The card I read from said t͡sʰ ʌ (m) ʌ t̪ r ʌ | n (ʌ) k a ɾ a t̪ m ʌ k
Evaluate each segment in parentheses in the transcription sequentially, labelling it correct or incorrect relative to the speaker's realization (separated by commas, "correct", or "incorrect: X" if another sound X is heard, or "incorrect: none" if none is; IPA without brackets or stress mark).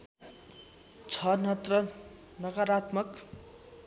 incorrect: n, correct